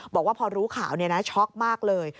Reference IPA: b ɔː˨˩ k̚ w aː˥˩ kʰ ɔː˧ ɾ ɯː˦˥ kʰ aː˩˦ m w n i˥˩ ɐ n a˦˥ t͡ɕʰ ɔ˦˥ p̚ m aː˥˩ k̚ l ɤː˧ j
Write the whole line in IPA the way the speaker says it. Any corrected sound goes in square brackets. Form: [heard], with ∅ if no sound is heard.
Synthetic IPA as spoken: b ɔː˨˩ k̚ w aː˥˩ [pʰ] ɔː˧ ɾ [uː˦˥] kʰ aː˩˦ [∅] w n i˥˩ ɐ n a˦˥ t͡ɕʰ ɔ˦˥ [k̚] m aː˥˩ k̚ l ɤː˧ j